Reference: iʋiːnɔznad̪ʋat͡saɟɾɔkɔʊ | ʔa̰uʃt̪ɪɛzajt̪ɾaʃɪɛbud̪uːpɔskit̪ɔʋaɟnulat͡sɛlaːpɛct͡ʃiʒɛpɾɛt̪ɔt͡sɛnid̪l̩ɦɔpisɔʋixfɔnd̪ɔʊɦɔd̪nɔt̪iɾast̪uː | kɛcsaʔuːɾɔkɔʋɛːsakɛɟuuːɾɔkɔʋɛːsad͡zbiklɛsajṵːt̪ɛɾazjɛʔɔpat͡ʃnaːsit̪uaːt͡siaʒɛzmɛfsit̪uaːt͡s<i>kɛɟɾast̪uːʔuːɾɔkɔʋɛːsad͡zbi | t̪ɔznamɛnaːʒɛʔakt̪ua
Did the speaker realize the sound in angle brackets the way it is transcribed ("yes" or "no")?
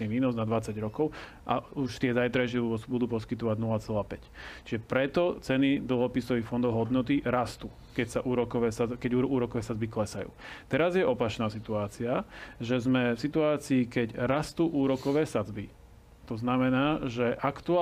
no